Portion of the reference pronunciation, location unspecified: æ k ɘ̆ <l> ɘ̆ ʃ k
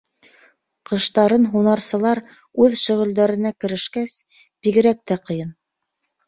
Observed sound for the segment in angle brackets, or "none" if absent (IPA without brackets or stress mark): ɾ